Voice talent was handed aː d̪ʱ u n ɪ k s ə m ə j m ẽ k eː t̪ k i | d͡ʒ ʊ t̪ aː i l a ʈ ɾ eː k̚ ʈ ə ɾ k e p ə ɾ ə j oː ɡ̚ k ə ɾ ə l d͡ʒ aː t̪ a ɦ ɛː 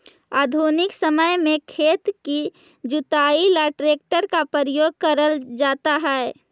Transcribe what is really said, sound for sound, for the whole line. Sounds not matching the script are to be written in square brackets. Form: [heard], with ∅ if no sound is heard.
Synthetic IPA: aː d̪ʱ u n ɪ k s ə m ə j m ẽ [kʰ] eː t̪ k i | d͡ʒ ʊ t̪ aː i l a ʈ ɾ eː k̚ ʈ ə ɾ k [a] p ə ɾ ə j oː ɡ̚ k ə ɾ ə l d͡ʒ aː t̪ a ɦ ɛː

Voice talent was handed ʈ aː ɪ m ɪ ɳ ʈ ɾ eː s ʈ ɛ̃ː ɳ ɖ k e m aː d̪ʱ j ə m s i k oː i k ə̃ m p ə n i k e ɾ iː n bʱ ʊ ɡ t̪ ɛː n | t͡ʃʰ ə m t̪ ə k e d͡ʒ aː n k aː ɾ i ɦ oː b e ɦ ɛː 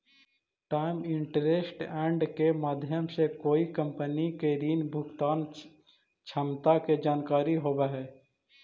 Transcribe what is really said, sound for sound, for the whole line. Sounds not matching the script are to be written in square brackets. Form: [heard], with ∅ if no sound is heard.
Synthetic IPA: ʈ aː ɪ m ɪ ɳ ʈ ɾ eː s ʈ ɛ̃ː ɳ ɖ k e m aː d̪ʱ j ə m s [e] k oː i k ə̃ m p ə n i k e ɾ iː n bʱ ʊ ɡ t̪ [aː] n | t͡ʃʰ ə m t̪ [a] k e d͡ʒ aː n k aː ɾ i ɦ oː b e ɦ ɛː

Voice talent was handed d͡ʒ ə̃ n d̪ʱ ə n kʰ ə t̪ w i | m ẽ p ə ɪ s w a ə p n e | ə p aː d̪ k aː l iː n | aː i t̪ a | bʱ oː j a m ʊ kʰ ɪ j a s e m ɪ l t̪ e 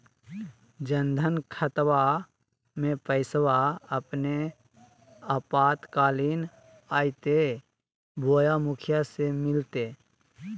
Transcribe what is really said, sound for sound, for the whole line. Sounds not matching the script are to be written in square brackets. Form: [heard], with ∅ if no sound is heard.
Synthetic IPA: d͡ʒ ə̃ n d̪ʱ ə n kʰ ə t̪ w [a] | m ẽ p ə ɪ s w a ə p n e | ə p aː [t̪] k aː l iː n | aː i t̪ [e] | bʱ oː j a m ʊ kʰ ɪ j a s e m ɪ l t̪ e

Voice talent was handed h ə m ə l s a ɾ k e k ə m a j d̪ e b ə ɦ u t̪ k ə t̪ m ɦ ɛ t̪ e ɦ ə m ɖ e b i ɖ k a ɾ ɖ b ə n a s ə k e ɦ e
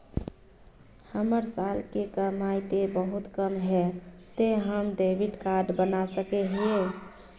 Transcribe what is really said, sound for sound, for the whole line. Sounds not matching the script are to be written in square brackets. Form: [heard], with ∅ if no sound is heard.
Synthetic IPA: h ə m ə [ɾ] s a [l] k e k ə m a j [t̪] e b ə ɦ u t̪ k ə [∅] m ɦ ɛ t̪ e ɦ ə m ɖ e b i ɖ k a ɾ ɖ b ə n a s ə k e ɦ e

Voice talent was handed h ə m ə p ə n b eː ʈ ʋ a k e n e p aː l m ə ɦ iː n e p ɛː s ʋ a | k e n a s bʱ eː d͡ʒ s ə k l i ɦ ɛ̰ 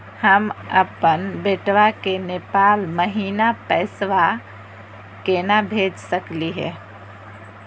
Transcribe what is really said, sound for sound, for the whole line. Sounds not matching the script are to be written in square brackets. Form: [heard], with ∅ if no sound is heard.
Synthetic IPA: h ə m ə p ə n b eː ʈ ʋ a k e n e p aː l m ə ɦ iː n [a] p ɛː s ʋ a | k e n a [∅] bʱ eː d͡ʒ s ə k l i ɦ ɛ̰

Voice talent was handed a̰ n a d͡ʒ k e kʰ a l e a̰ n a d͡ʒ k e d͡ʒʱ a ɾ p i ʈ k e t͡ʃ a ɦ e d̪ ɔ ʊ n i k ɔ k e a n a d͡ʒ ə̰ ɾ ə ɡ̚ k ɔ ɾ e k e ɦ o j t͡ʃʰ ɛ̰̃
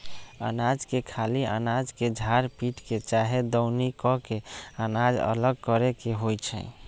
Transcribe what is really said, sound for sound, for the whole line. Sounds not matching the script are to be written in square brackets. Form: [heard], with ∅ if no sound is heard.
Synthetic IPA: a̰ n a d͡ʒ k e kʰ a l [i] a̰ n a d͡ʒ k e d͡ʒʱ a ɾ p i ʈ k e t͡ʃ a ɦ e d̪ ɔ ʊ n i k ɔ k e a n a d͡ʒ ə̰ [l] ə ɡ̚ k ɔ ɾ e k e ɦ o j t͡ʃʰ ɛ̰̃

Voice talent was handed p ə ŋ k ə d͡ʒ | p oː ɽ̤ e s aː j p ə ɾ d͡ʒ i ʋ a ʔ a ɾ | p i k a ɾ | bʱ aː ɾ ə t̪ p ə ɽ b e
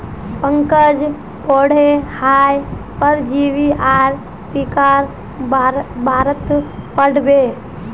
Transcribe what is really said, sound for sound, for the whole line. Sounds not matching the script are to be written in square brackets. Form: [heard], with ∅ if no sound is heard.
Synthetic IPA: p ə ŋ k ə d͡ʒ | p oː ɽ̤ e [h] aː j p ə ɾ d͡ʒ i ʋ [i] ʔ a ɾ | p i k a ɾ | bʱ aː ɾ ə t̪ p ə ɽ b e

